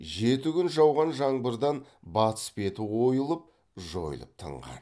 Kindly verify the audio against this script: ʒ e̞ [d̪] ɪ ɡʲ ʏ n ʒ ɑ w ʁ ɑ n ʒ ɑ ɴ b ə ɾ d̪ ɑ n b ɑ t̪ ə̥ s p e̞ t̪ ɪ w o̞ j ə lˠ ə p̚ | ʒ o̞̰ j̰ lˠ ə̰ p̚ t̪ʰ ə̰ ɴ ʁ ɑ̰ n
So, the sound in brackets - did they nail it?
no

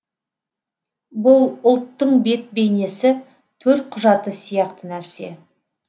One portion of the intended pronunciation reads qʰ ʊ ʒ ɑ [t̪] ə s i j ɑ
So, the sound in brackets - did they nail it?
yes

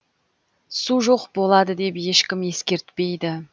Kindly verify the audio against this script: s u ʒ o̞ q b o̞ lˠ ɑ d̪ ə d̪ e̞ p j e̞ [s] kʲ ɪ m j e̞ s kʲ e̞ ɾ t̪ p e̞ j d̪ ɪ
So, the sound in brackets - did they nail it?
no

